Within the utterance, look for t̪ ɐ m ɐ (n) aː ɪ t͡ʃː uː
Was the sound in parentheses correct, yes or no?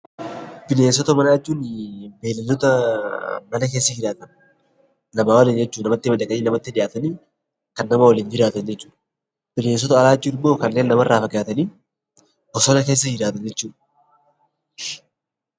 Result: yes